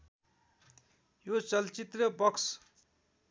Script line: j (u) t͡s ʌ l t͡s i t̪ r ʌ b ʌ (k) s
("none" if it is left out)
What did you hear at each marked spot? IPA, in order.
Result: o, k

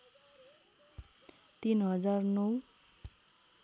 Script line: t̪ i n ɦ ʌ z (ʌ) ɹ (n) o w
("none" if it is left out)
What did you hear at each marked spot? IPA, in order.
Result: a, n

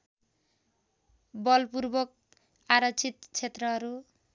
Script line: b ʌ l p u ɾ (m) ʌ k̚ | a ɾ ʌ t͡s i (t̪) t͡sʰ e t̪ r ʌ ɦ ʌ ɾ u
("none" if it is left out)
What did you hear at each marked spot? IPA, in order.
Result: b, t̪

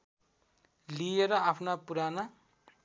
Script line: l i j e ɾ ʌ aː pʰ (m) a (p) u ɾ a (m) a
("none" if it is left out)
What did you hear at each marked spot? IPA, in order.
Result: n, p, n

